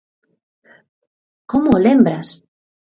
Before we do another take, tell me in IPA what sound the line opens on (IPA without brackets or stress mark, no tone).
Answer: k